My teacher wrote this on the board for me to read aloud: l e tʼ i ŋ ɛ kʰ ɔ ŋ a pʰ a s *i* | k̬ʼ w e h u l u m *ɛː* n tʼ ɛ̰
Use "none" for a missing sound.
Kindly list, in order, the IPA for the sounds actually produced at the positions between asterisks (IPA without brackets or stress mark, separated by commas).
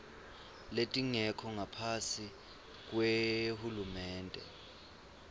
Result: i, ɛː